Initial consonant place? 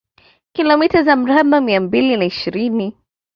velar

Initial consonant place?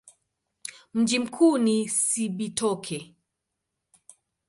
labial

